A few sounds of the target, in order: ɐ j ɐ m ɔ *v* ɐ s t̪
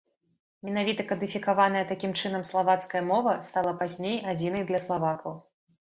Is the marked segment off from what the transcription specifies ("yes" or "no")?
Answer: no